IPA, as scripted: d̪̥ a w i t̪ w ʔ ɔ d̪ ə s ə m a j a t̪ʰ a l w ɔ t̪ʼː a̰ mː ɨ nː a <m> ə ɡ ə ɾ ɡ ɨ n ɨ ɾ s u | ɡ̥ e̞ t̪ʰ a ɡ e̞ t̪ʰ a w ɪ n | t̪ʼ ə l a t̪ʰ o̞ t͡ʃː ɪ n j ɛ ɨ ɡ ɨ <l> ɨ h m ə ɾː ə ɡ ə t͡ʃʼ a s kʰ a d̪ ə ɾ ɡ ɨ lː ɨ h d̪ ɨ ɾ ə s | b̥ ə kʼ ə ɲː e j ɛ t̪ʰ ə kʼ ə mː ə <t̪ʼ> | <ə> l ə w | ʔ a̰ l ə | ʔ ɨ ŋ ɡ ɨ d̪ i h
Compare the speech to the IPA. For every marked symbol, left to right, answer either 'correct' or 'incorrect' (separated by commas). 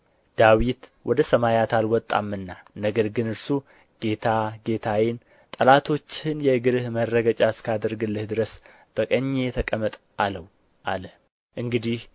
incorrect, incorrect, correct, incorrect